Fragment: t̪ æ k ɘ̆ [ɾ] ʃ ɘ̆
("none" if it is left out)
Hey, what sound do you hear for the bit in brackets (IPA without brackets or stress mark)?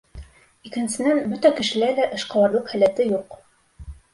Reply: none